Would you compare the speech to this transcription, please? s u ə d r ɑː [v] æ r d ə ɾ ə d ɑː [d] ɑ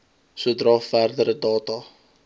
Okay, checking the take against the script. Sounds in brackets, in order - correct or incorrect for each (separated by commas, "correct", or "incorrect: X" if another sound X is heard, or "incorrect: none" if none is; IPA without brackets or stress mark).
incorrect: f, incorrect: t